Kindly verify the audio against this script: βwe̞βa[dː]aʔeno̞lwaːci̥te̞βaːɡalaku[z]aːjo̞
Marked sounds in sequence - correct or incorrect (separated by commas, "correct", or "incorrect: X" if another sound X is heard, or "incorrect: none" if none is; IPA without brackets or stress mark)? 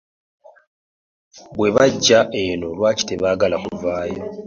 incorrect: ɟː, incorrect: v